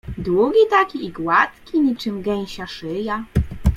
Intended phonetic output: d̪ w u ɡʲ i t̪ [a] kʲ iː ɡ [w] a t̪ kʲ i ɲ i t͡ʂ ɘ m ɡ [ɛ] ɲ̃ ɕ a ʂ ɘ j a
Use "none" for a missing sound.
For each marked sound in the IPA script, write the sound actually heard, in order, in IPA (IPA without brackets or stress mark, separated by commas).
a, w, ɛ